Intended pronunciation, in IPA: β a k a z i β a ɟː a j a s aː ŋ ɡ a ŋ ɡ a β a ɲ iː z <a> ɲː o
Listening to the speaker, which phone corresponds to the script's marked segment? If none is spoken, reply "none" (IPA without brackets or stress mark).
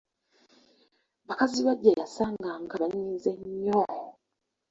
e